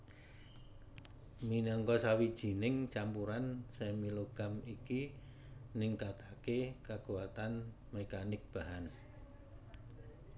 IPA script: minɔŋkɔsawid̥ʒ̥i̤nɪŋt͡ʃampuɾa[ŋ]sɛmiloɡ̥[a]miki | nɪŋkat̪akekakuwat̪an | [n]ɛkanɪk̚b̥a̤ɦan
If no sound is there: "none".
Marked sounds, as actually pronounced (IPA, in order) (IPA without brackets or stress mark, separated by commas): n, a, m